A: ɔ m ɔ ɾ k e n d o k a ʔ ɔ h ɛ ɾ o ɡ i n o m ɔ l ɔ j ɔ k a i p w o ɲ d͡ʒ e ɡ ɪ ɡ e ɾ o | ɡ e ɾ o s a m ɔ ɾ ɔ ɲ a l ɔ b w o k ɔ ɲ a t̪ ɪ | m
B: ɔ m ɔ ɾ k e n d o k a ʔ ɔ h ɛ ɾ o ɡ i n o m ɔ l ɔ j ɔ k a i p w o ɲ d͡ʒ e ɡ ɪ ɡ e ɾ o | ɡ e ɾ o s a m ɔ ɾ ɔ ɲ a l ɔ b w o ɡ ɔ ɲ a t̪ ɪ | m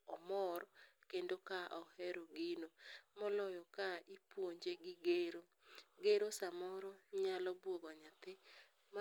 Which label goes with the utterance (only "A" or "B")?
B